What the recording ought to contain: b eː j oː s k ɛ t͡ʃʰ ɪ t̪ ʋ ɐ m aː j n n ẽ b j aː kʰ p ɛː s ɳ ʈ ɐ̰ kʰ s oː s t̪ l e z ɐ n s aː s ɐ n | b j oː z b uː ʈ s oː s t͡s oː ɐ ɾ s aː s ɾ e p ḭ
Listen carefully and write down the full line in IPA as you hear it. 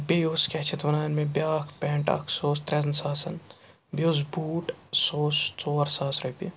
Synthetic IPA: b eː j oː s k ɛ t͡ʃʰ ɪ t̪ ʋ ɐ n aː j n m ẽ b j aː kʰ p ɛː ɳ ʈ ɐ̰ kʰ s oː s t̪ ɾ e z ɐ n s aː s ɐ n | b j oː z b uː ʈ s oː s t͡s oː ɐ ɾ s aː s ɾ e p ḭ

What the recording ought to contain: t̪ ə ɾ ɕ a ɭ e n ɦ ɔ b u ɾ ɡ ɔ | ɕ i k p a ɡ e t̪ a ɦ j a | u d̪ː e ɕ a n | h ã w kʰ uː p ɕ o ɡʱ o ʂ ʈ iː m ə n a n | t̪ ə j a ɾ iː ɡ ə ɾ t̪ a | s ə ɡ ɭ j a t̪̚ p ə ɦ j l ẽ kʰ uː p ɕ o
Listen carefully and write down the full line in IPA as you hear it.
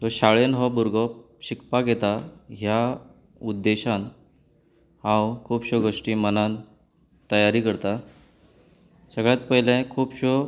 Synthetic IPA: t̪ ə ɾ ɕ a ɭ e n ɦ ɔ b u ɾ ɡ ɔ | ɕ i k p a ɡ e t̪ a ɦ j a | u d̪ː e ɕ a n | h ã w kʰ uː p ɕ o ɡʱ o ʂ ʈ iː m ə n a n | t̪ ə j a ɾ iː k ə ɾ t̪ a | s ə ɡ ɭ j a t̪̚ p ə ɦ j l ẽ kʰ uː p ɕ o

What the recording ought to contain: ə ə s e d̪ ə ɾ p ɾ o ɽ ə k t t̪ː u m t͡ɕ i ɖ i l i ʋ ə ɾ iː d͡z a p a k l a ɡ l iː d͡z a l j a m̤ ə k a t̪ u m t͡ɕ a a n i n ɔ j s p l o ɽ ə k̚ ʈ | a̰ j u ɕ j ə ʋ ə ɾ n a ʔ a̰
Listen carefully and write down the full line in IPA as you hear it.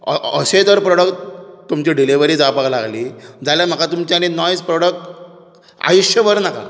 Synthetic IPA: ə ə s e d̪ ə ɾ p ɾ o ɽ ə k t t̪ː u m t͡ɕ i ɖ i l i ʋ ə ɾ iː d͡z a p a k l a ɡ l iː d͡z a l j a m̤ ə k a t̪ u m t͡ɕ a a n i n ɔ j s p ɾ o ɽ ə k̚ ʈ | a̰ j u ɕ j ə ʋ ə ɾ n a k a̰

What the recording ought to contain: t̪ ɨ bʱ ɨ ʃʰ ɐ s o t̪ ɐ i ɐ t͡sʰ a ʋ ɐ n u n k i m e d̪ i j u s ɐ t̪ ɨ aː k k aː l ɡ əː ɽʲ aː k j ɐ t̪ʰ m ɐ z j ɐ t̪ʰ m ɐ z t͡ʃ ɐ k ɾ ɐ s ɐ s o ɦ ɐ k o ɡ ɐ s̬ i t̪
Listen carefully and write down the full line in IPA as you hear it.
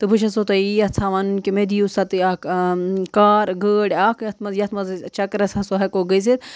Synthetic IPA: t̪ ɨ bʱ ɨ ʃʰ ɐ s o t̪ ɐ i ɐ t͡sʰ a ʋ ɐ n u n k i m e d̪ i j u s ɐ t̪ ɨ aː k k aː ɾ ɡ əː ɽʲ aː k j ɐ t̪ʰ m ɐ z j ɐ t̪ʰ m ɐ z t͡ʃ ɐ k ɾ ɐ s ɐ s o ɦ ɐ k o ɡ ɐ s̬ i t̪

